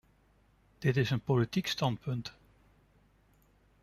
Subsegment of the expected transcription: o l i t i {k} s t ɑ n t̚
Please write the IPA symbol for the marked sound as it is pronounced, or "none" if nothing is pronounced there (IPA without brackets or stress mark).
k